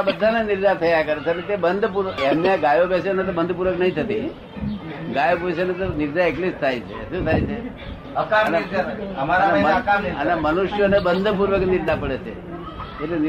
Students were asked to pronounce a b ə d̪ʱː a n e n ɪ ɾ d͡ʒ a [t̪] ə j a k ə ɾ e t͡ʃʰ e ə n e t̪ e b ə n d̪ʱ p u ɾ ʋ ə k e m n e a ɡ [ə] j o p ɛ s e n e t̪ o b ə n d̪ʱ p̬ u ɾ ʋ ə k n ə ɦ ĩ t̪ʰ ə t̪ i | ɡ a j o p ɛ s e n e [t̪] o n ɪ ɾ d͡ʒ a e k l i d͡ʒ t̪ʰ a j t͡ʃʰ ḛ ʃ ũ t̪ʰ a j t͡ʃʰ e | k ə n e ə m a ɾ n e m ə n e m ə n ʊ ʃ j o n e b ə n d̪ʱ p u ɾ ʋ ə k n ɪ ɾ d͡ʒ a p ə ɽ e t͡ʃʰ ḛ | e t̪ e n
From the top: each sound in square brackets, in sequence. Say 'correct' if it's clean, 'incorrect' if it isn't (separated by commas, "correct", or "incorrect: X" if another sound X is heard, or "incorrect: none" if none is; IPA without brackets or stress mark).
incorrect: t̪ʰ, incorrect: a, correct